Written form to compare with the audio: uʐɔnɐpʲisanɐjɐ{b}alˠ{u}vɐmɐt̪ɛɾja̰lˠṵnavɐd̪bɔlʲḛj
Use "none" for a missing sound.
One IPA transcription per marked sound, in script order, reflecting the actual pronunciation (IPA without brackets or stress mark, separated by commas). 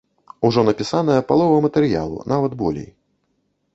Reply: p, ɔ